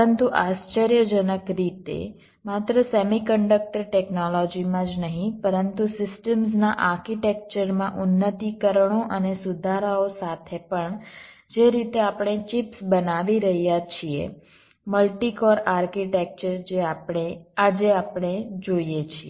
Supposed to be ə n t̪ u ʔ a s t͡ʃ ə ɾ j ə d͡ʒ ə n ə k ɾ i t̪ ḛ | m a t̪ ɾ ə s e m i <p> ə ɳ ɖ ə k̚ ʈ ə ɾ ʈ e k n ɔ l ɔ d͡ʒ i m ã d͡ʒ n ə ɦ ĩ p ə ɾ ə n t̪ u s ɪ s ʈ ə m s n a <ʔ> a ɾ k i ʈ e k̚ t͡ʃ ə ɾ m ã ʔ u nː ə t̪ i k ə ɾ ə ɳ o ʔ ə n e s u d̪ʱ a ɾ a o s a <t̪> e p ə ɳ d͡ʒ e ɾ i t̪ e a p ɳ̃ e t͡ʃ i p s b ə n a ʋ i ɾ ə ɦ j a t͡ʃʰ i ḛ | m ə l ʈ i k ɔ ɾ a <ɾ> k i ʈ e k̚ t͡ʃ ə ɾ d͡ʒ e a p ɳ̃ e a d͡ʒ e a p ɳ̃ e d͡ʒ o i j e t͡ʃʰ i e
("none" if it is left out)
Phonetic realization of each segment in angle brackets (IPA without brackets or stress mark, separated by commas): k, ʔ, t̪ʰ, ɾ